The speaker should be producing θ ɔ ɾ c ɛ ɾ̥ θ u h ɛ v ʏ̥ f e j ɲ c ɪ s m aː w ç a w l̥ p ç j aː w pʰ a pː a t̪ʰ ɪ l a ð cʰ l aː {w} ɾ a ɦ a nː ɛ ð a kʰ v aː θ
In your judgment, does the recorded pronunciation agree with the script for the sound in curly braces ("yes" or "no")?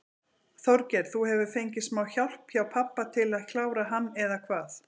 yes